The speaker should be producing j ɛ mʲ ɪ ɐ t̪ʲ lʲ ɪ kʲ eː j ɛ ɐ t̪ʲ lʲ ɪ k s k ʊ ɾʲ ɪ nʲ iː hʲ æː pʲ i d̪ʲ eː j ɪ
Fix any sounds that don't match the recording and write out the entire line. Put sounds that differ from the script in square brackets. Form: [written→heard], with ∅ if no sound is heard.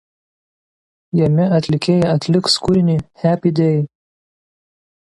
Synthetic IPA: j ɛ mʲ ɪ ɐ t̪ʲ lʲ ɪ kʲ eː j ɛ ɐ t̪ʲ lʲ ɪ k s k ʊ ɾʲ ɪ nʲ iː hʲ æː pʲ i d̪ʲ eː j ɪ